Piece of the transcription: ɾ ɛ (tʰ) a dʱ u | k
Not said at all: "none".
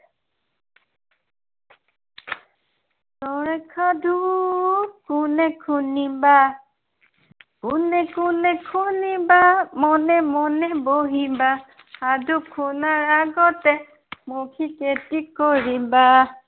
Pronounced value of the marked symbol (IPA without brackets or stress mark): kʰ